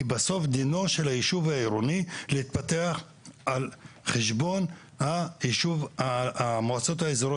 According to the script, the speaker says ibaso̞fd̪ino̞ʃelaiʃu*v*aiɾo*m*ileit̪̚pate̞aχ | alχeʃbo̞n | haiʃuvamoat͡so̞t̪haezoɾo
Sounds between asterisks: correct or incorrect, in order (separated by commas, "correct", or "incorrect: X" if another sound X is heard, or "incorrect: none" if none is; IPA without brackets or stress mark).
correct, incorrect: n